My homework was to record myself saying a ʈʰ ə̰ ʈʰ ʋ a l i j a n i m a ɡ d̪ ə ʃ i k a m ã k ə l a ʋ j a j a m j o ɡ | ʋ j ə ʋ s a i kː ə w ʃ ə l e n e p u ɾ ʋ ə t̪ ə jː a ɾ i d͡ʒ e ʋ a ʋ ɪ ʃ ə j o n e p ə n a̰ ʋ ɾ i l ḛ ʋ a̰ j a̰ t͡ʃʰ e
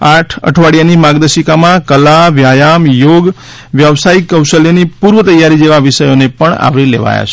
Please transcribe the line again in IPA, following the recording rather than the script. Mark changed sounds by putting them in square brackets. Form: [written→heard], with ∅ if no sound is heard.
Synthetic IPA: a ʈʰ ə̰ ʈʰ ʋ a [l→ɽ] i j a n i m a ɡ d̪ ə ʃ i k a m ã k ə l a ʋ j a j a m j o ɡ | ʋ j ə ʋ s a i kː ə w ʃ ə l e n [e→i] p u ɾ ʋ ə t̪ ə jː a ɾ i d͡ʒ e ʋ a ʋ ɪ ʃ ə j o n e p ə [n→ɳ] a̰ ʋ ɾ i l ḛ ʋ a̰ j a̰ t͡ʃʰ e